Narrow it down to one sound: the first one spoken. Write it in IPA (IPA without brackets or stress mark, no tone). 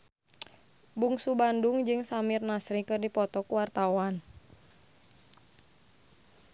b